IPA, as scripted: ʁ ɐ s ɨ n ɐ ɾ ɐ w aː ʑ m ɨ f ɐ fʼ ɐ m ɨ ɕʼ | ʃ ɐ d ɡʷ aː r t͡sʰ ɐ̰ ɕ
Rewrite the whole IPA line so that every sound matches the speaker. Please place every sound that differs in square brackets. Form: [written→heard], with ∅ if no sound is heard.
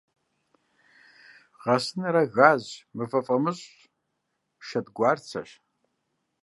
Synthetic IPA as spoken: ʁ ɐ s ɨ n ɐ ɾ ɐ [w→ɣ] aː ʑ m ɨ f ɐ fʼ ɐ m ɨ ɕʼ | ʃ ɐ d ɡʷ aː r t͡sʰ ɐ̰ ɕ